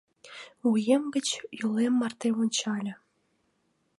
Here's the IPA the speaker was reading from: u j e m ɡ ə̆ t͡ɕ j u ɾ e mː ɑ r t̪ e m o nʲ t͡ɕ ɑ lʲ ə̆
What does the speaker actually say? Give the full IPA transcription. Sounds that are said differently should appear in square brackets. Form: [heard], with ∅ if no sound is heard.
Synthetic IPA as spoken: u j e m ɡ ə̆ t͡ɕ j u [l] e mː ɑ r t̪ e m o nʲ t͡ɕ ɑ lʲ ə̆